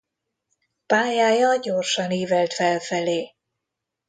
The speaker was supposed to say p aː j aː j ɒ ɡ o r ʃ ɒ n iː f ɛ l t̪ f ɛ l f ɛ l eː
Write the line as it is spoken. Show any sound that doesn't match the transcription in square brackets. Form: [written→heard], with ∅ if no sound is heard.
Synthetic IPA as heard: p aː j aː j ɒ [ɡ→ɟ] o r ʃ ɒ n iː [f→v] ɛ l t̪ f ɛ l f ɛ l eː